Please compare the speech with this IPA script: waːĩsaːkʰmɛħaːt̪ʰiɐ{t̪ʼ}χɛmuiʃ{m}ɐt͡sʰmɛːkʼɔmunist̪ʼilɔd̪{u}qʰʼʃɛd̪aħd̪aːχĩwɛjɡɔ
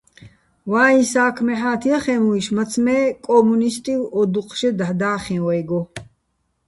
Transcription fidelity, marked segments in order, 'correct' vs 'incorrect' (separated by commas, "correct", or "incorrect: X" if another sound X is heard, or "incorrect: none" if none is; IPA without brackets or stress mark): incorrect: none, correct, correct